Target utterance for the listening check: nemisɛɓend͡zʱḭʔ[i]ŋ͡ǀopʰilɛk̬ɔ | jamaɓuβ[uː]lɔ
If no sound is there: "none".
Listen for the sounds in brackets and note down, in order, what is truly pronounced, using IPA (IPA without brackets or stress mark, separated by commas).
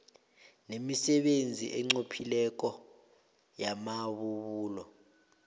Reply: ɛ, uː